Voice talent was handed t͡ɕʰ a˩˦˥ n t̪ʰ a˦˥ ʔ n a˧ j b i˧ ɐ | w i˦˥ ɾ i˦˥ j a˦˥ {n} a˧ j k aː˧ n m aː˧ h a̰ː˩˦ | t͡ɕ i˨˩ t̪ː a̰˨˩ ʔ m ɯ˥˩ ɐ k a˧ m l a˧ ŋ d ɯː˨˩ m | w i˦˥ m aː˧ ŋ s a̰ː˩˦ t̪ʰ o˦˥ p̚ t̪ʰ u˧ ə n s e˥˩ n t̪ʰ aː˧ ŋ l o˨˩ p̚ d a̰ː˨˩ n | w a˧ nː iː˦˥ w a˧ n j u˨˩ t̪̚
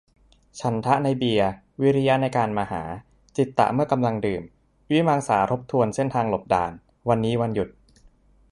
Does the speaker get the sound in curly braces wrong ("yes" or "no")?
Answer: no